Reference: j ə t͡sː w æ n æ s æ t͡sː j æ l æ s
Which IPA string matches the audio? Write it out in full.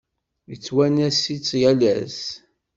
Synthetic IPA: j ə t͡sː w æ n æ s i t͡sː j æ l æ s